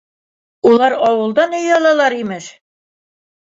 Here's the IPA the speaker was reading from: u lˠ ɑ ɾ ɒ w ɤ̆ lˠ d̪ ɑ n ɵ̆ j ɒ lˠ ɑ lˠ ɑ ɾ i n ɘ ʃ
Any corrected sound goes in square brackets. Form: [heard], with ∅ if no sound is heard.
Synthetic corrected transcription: u lˠ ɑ ɾ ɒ w ɤ̆ lˠ d̪ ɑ n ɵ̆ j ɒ lˠ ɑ lˠ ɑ ɾ i [m] ɘ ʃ